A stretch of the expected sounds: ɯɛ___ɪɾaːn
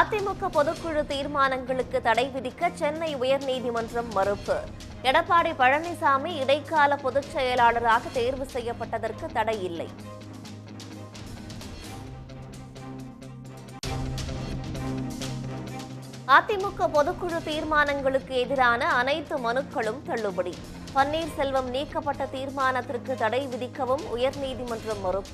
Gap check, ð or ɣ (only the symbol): ð